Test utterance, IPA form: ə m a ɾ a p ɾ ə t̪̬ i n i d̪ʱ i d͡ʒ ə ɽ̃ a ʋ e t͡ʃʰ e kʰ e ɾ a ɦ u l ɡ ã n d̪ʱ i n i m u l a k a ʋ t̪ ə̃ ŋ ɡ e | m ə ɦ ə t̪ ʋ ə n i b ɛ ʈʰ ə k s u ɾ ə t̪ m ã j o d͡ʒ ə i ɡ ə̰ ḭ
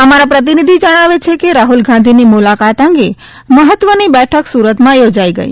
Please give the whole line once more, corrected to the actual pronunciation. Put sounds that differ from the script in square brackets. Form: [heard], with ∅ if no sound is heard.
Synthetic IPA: ə m a ɾ a p ɾ ə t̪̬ i n i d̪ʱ i d͡ʒ ə ɽ̃ a ʋ e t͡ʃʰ e [k] e ɾ a ɦ u l ɡ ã n d̪ʱ i n i m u l a k a [∅] t̪ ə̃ ŋ ɡ e | m ə ɦ ə t̪ ʋ ə n i b ɛ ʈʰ ə k s u ɾ ə t̪ m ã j o d͡ʒ [a] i ɡ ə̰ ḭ